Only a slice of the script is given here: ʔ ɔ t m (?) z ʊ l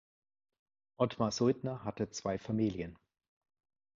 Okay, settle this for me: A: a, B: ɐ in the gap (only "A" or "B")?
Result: A